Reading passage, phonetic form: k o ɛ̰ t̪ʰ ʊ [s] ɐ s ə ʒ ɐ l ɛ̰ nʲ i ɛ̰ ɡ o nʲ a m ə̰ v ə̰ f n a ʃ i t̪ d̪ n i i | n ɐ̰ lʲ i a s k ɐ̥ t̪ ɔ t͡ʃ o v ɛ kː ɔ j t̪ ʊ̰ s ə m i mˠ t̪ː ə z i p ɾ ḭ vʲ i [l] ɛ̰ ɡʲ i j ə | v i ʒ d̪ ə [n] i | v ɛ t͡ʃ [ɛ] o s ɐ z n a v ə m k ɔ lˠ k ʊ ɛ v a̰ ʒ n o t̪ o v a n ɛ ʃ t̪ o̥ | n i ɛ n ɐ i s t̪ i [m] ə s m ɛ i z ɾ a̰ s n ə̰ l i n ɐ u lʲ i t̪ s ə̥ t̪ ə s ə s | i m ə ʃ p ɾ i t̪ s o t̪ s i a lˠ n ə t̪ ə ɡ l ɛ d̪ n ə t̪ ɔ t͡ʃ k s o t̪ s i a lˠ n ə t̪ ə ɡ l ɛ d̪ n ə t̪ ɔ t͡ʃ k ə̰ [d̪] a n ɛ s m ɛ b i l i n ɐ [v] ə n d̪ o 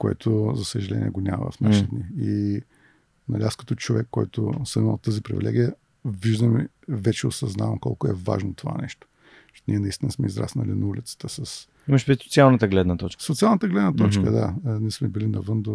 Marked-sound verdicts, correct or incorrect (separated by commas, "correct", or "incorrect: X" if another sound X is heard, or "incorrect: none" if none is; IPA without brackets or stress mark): incorrect: z, correct, incorrect: m, correct, incorrect: n, correct, correct